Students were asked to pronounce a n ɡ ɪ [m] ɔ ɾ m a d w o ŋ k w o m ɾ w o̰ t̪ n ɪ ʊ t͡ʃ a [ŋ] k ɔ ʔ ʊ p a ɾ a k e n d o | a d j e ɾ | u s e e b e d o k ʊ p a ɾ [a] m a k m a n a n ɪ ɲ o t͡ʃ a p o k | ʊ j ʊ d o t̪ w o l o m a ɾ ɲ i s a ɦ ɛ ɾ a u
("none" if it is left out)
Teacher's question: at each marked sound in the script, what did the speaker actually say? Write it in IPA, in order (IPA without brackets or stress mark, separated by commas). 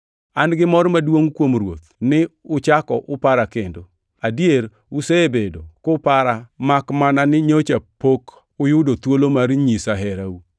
m, none, a